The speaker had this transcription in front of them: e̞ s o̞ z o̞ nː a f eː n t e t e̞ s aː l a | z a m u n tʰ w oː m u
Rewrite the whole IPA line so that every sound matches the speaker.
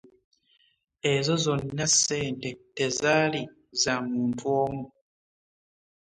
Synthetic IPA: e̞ z o̞ z o̞ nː a s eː n t e t e̞ z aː l i | z a m uː n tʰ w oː m u